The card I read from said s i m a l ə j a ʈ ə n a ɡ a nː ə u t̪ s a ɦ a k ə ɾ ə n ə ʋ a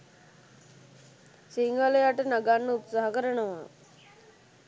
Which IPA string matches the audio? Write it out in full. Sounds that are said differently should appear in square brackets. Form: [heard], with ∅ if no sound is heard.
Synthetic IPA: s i [ŋ] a l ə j a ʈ ə n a ɡ a nː ə u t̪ s a ɦ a k ə ɾ ə n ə ʋ a

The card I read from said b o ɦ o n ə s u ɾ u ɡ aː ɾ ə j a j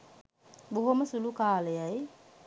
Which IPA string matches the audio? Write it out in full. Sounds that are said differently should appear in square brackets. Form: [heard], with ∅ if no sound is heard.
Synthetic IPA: b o ɦ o [m] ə s u [l] u [k] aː [l] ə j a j

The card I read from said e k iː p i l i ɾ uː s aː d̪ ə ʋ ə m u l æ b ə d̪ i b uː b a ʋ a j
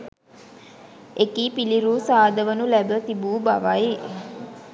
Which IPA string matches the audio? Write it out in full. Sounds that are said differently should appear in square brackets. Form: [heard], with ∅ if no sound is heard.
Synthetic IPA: e k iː p i l i ɾ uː s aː d̪ ə ʋ ə [n] u l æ b ə [t̪] i b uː b a ʋ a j

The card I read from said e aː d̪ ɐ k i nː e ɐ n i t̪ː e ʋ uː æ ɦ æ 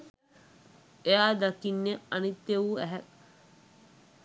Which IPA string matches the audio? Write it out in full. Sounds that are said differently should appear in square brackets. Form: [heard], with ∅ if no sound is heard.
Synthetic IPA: e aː d̪ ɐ k i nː e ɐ n i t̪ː e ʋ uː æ ɦ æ

